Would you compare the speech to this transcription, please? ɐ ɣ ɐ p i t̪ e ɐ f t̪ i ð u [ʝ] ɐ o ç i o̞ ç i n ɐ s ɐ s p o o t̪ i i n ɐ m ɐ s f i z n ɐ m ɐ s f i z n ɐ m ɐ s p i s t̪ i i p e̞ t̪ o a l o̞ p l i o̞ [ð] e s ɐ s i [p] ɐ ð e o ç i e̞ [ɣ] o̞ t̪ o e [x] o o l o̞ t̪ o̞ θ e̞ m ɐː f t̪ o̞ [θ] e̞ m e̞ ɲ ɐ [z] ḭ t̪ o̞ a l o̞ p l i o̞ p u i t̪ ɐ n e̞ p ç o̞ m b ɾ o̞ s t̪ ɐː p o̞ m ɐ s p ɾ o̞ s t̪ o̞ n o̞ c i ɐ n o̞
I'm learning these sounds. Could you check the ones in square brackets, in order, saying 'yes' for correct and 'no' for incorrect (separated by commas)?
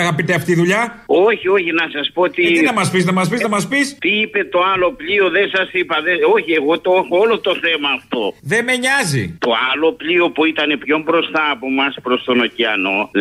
no, yes, yes, yes, yes, no, yes